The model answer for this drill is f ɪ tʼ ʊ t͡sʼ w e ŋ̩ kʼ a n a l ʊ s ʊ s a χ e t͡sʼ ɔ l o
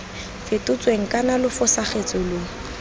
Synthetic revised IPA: f ɪ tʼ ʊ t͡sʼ w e ŋ̩ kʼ a n a l ʊ f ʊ s a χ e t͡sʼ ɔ l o